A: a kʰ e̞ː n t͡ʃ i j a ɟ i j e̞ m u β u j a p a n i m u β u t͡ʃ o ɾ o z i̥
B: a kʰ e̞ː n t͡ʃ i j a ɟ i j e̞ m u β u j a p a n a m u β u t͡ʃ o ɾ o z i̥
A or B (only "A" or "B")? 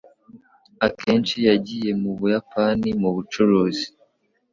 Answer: A